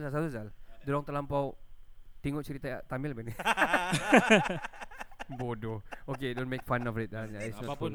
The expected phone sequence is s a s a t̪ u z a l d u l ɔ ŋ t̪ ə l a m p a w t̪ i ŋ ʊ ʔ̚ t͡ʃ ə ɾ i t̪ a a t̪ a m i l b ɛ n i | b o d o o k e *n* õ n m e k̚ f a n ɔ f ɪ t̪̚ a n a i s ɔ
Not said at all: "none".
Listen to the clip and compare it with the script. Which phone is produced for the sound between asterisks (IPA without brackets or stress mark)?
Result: d